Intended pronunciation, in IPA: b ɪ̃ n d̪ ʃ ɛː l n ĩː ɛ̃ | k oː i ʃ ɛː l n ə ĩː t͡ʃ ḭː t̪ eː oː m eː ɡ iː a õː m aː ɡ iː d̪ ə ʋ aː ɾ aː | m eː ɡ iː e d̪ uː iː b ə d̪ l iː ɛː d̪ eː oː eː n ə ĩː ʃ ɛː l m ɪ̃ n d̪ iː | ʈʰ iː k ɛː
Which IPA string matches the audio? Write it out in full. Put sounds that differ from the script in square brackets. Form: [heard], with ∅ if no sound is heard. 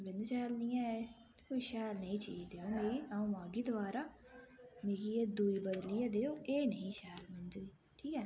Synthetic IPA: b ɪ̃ n d̪ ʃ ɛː l n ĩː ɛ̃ | k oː i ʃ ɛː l n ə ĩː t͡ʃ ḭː [d̪] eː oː m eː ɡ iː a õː m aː ɡ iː d̪ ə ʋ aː ɾ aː | m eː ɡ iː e d̪ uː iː b ə d̪ l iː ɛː d̪ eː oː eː n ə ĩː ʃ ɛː l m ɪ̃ n d̪ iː | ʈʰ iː k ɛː